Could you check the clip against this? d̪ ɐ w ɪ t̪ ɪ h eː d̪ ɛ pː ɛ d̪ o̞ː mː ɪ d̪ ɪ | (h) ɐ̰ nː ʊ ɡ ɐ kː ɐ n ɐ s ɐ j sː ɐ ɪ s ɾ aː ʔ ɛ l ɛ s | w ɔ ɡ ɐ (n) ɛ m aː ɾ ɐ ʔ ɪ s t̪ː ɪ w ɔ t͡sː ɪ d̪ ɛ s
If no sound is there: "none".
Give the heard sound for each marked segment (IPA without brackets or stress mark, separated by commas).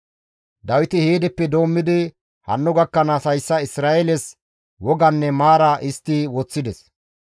h, nː